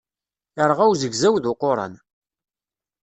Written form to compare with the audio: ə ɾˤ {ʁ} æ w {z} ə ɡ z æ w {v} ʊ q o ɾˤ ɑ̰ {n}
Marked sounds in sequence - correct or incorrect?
correct, correct, incorrect: ð, correct

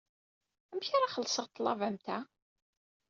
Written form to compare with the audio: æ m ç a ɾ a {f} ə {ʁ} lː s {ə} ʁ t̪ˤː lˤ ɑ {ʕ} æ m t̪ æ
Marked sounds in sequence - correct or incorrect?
incorrect: χ, incorrect: none, correct, incorrect: v

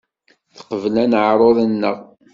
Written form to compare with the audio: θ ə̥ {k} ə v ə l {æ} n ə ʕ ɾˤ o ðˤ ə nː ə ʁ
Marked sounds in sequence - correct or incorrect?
incorrect: q, correct

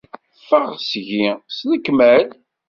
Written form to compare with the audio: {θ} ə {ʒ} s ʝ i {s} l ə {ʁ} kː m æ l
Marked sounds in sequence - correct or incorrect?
incorrect: f, incorrect: ʁ, correct, incorrect: none

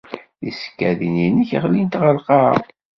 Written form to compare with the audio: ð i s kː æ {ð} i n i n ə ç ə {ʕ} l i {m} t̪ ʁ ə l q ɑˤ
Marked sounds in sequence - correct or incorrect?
correct, incorrect: ʁ, incorrect: n

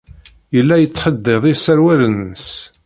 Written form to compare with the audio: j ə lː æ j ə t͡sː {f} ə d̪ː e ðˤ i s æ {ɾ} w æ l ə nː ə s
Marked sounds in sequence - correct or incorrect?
incorrect: ħ, correct

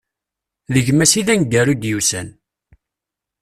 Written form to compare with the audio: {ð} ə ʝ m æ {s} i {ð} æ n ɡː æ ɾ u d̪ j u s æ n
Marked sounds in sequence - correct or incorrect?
correct, correct, correct

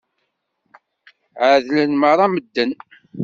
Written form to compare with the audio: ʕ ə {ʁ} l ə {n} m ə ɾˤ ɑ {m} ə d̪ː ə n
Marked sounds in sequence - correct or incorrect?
incorrect: ð, correct, correct

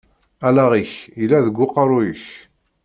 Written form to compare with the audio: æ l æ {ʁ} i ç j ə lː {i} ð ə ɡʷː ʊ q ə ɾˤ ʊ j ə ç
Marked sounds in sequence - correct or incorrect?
correct, incorrect: æ

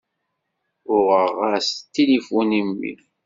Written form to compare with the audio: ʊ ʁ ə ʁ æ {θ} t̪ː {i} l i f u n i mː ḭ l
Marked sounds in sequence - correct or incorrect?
incorrect: s, correct

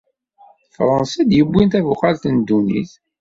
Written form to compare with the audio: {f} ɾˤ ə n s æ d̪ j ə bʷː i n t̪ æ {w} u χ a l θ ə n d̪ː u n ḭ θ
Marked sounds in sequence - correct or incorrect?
correct, incorrect: v

